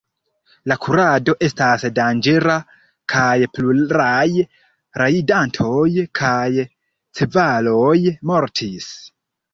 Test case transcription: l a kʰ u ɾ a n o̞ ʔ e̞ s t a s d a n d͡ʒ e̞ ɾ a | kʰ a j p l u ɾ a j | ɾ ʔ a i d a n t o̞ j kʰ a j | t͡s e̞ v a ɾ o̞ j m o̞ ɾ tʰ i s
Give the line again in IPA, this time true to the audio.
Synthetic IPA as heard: l a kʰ u ɾ a d o̞ ʔ e̞ s t a s d a n d͡ʒ e̞ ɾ a | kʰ a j p l u ɾ a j | ɾ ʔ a i d a n tʰ o̞ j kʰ a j | t͡s e̞ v a l o̞ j m o̞ ɾ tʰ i s